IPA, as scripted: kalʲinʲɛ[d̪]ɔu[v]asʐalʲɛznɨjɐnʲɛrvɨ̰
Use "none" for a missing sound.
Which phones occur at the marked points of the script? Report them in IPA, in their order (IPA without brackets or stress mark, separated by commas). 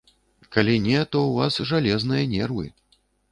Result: t̪, v